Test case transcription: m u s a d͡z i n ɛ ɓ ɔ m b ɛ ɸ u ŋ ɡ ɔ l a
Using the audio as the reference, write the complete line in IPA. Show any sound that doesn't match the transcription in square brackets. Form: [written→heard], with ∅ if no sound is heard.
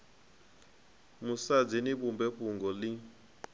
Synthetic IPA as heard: m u s a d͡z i n [ɛ→i] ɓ [ɔ→u] m b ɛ ɸ u ŋ ɡ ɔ l [a→i]